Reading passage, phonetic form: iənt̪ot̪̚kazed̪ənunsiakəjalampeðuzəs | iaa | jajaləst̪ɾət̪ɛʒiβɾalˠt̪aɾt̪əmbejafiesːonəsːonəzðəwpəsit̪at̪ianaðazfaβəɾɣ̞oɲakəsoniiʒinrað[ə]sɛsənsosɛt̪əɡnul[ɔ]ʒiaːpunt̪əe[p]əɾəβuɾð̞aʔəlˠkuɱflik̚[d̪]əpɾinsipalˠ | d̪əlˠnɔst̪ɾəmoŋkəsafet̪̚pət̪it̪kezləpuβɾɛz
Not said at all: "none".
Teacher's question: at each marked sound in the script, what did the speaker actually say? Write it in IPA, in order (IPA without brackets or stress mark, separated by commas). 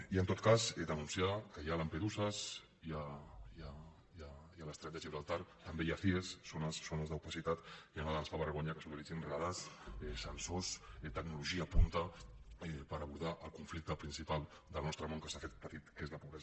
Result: a, u, p, t̪